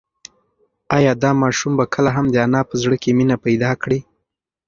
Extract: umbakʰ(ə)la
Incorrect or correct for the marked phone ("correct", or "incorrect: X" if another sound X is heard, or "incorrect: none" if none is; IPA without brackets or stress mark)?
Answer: correct